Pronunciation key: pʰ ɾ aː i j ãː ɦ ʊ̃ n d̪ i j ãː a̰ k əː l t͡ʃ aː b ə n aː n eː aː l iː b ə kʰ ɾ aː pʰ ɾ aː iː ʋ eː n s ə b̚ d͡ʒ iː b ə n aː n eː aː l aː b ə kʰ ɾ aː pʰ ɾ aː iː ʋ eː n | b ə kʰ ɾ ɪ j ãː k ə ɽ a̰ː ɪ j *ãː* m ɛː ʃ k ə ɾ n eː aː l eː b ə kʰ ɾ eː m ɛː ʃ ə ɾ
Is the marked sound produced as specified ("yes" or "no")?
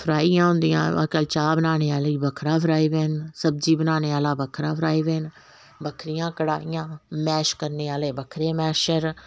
yes